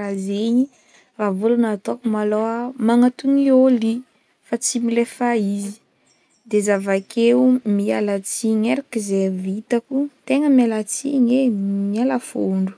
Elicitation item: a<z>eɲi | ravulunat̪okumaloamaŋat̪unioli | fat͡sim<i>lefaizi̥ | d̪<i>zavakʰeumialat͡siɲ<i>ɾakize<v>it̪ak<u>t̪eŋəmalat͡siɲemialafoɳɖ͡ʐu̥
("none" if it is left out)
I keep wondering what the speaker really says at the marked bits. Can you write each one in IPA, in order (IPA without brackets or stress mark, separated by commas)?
z, i, e, e, v, u